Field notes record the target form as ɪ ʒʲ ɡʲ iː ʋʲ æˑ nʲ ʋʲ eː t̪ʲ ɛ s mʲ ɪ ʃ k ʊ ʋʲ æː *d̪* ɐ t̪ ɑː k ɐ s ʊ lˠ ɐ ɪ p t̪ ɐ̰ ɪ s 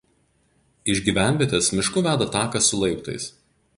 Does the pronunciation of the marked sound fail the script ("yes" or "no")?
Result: no